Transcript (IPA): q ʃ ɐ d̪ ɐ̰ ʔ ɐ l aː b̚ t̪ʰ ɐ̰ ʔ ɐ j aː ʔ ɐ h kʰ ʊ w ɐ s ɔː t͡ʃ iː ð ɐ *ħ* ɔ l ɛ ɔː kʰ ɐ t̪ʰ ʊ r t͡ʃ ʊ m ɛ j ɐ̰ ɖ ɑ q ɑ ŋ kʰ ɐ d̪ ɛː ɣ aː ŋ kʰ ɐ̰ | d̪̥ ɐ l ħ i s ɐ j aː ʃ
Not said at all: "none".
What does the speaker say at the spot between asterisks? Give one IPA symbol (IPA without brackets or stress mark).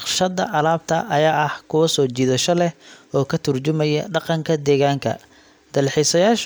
ʃ